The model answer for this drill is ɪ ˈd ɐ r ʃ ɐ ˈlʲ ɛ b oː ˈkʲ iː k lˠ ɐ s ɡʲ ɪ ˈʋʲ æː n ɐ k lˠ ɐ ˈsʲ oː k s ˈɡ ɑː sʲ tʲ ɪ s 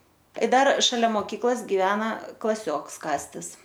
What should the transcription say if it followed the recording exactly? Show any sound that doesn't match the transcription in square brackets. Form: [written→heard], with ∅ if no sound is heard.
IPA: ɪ ˈd ɐ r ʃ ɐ ˈlʲ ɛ [b→m] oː ˈkʲ iː k lˠ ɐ s ɡʲ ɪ ˈʋʲ æː n ɐ k lˠ ɐ ˈsʲ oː k s [ˈɡ→ˈk] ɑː sʲ tʲ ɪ s